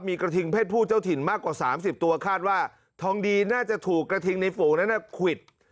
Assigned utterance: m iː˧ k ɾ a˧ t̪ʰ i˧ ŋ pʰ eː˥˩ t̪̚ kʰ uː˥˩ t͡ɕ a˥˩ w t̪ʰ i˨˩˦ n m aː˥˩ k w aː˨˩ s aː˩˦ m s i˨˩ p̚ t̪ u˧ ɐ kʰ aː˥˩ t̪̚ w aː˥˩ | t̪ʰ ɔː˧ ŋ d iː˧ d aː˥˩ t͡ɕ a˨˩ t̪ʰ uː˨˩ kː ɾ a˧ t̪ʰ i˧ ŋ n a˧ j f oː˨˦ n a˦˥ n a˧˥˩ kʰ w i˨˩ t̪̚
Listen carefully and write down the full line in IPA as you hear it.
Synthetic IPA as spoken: m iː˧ k ɾ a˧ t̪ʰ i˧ ŋ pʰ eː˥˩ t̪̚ pʰ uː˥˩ t͡ɕ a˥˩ w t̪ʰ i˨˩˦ n m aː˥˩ k w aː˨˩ s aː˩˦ m s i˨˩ p̚ t̪ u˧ ɐ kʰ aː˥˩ t̪̚ w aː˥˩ | t̪ʰ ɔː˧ ŋ d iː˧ n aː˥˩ t͡ɕ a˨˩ t̪ʰ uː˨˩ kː ɾ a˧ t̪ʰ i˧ ŋ n a˧ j f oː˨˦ n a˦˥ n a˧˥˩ kʰ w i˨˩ t̪̚